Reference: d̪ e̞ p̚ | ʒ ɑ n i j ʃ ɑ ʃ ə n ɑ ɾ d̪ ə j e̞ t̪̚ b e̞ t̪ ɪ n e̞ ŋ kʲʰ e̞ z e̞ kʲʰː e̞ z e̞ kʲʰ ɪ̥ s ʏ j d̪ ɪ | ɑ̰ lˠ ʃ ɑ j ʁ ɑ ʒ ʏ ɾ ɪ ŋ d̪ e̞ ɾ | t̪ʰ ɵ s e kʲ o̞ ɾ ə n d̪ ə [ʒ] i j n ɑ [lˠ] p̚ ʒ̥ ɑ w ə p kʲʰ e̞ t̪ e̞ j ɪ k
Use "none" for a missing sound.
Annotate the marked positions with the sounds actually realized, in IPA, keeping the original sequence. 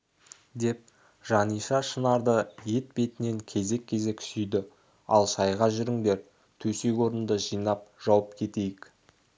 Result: ʒ, none

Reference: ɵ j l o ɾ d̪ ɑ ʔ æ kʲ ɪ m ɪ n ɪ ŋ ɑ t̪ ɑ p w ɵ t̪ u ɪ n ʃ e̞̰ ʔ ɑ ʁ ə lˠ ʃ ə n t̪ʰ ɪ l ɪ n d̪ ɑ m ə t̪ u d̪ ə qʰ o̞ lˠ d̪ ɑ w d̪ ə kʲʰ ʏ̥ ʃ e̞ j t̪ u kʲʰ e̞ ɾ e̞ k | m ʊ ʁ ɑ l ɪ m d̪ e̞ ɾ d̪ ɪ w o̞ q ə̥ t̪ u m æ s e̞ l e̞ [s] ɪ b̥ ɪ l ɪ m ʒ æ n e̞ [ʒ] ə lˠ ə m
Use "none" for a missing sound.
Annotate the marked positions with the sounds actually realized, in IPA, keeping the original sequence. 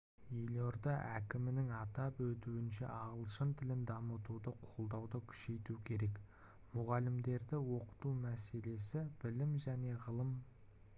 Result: s, ʁ

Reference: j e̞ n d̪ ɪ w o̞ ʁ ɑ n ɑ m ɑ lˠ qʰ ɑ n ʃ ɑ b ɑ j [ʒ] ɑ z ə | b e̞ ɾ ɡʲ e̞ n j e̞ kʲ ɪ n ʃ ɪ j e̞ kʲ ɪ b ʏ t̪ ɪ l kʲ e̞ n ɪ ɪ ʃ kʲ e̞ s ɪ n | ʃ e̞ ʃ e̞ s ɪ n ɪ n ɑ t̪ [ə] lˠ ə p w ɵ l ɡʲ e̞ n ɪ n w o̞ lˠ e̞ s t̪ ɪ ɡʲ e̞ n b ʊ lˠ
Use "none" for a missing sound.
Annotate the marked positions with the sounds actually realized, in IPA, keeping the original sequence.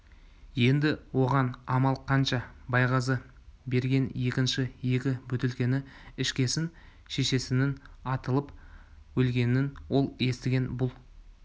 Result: ʁ, ə

